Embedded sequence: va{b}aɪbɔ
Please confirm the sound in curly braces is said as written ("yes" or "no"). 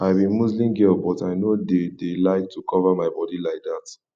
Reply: no